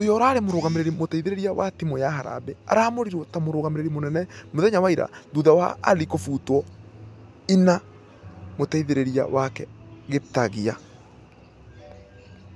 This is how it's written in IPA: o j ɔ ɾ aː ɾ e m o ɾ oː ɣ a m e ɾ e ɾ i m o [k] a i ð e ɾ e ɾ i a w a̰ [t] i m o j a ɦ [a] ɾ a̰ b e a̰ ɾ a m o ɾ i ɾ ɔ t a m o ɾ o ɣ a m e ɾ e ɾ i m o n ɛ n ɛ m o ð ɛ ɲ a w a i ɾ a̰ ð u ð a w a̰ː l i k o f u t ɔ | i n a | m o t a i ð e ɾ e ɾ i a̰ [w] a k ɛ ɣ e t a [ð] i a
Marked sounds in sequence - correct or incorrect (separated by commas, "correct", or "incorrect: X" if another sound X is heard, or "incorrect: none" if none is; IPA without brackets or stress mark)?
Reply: incorrect: t, correct, correct, correct, incorrect: ɣ